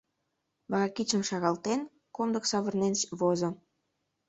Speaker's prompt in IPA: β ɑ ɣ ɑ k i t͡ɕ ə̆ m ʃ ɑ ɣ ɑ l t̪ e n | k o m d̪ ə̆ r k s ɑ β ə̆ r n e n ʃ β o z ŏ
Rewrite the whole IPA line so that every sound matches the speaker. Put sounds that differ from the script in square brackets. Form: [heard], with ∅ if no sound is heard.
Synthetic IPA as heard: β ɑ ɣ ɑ k i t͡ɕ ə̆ m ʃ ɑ ɣ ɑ l t̪ e n | k o m d̪ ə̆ [∅] k s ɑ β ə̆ r n e n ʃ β o z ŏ